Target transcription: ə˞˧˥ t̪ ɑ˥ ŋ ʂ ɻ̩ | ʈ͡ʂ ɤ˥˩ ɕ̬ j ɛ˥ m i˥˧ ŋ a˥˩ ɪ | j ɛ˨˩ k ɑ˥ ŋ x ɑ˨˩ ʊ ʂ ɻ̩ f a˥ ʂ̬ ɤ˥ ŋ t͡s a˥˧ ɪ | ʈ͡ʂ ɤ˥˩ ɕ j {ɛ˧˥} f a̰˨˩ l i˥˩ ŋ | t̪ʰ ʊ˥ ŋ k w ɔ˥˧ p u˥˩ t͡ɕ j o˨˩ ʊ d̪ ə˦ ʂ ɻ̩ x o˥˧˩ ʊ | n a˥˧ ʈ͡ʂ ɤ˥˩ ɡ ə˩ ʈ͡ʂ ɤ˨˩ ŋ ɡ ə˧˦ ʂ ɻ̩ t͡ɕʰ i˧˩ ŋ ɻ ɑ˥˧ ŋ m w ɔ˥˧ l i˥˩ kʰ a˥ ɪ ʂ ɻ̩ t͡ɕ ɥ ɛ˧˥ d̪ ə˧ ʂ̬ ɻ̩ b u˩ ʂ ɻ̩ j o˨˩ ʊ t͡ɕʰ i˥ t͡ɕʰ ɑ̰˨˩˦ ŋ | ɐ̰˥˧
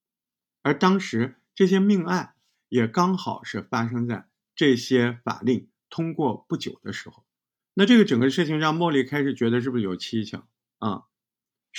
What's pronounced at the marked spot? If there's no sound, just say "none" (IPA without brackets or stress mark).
ɛ˥